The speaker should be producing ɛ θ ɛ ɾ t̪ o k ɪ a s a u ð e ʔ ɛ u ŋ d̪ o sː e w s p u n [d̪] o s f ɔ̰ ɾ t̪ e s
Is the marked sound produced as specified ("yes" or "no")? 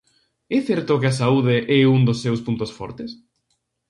no